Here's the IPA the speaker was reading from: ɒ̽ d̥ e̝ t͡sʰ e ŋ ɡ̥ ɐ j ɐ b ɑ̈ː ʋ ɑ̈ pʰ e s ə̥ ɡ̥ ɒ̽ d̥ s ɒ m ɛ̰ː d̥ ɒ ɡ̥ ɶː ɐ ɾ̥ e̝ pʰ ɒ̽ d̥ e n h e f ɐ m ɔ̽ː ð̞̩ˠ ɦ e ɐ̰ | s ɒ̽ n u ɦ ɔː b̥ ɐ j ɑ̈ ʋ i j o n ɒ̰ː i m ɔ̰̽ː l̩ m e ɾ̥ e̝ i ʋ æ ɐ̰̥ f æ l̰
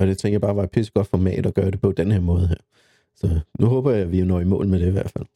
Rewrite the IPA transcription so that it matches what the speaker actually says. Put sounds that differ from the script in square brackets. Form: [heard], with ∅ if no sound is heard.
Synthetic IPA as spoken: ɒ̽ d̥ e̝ t͡sʰ e ŋ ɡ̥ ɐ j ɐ b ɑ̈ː ʋ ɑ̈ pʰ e s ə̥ ɡ̥ ɒ̽ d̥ [f] ɒ m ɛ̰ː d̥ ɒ ɡ̥ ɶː ɐ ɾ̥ e̝ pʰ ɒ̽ d̥ e n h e [∅] ɐ m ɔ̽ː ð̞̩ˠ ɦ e ɐ̰ | s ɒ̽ n u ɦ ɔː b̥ ɐ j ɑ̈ ʋ i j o n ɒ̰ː i m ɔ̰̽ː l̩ m e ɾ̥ e̝ i ʋ æ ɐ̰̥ f æ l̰